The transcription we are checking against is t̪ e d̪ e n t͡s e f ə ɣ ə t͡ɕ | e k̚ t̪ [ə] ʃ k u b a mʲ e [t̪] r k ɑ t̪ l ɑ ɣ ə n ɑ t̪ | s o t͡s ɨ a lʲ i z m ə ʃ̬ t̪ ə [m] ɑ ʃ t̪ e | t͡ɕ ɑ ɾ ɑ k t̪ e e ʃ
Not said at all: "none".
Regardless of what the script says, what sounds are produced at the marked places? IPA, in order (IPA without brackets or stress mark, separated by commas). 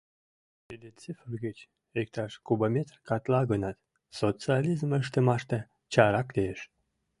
ɑ, t̪, m